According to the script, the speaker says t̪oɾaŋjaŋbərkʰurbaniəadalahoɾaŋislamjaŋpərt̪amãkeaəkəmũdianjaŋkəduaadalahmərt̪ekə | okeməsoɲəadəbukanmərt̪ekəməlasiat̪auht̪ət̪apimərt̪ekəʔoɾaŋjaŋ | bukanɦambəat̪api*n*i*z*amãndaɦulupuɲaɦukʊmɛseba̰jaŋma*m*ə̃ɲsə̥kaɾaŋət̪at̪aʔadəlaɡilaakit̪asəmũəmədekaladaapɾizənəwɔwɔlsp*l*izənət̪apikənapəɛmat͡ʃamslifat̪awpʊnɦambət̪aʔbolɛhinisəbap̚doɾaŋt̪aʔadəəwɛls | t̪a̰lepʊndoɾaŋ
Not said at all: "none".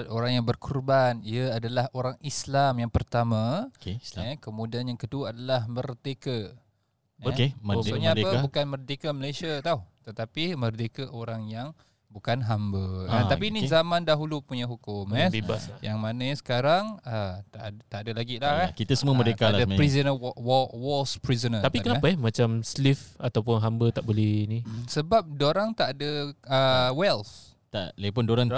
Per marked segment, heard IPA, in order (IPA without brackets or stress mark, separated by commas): n, z, n, ɾ